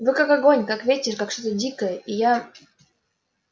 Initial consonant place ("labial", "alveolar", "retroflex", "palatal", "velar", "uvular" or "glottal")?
labial